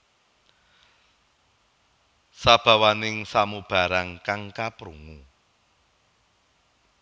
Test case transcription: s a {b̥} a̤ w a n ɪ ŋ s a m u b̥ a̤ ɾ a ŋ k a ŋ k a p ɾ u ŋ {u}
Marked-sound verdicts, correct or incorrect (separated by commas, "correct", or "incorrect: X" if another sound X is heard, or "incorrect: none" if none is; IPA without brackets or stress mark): correct, correct